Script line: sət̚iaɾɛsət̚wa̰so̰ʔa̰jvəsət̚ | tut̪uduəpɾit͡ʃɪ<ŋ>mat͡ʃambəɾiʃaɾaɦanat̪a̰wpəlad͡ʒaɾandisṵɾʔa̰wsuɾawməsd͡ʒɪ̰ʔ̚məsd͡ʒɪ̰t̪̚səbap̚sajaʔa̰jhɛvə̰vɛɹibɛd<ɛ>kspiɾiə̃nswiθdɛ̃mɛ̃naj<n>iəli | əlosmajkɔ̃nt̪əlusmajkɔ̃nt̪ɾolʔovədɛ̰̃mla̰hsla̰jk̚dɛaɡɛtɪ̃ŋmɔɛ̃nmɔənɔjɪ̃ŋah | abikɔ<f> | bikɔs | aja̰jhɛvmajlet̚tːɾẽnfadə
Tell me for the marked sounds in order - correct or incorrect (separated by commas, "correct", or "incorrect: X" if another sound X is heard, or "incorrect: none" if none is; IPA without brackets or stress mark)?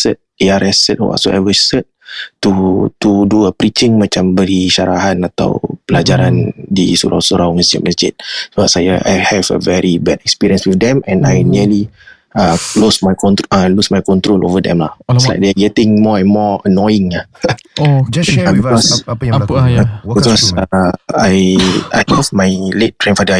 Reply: correct, correct, correct, incorrect: s